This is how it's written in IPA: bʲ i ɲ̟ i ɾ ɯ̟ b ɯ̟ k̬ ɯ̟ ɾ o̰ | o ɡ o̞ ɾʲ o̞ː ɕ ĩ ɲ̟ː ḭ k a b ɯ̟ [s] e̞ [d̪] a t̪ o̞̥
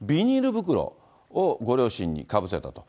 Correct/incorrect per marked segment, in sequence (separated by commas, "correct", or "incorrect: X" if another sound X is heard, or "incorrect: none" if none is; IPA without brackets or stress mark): correct, incorrect: t̪